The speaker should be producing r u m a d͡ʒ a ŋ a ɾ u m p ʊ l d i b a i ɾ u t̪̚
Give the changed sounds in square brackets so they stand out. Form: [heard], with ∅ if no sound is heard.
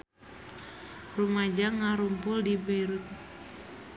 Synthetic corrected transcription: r u m a d͡ʒ a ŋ a ɾ u m p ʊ l d i b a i ɾ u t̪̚